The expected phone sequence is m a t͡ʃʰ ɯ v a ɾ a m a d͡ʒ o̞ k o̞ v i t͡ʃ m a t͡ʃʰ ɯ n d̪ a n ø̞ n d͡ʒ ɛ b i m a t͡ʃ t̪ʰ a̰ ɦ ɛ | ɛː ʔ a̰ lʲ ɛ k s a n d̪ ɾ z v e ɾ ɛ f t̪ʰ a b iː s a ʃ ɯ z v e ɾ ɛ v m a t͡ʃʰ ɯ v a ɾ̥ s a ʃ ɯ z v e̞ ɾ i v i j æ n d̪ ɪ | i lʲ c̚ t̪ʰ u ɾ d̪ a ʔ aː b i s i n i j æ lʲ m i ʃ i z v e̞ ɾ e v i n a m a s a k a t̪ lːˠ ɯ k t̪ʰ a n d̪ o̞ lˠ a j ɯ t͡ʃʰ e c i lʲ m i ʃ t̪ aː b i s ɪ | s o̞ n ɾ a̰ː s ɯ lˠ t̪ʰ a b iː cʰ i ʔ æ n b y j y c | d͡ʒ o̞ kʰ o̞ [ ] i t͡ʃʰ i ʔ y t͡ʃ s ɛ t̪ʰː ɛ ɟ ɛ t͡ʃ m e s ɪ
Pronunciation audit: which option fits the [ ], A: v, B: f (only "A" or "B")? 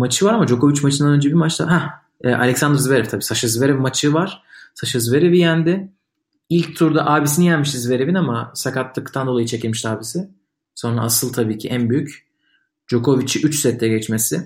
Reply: A